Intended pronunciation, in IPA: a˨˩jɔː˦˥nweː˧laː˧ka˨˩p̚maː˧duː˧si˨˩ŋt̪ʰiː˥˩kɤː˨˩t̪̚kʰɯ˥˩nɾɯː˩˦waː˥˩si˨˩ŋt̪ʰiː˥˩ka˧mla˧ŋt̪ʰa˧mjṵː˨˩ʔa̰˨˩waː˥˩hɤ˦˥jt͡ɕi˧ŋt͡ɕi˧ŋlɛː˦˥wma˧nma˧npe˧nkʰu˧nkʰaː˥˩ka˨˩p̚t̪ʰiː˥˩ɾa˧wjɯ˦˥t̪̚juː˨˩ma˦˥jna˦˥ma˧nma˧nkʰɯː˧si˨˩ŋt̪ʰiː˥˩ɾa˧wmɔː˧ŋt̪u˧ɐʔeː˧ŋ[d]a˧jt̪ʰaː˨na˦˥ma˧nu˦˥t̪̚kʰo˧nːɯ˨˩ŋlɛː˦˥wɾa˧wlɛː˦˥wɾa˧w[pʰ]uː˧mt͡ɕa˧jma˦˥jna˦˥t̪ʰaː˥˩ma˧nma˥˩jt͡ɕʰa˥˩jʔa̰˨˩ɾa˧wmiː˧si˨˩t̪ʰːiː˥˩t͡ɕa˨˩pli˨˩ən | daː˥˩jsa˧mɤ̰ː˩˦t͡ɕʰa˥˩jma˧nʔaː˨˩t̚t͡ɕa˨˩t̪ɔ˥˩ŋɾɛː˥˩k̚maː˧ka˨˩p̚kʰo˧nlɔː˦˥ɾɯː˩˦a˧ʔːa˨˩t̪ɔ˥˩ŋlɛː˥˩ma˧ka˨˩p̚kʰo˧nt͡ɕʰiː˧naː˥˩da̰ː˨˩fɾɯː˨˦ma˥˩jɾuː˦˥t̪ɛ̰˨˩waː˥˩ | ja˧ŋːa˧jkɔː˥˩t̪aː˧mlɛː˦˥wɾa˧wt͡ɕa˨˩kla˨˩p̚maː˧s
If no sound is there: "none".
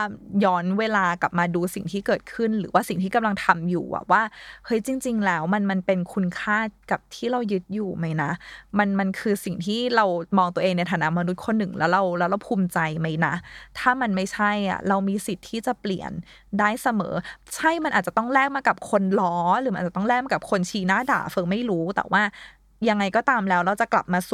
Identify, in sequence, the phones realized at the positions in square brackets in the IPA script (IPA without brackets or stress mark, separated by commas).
n, pʰ